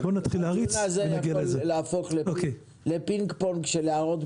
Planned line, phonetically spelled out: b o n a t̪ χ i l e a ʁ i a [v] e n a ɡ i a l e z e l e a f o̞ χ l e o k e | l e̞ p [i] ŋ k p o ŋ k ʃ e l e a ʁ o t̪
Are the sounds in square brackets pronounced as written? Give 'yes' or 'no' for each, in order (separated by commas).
no, yes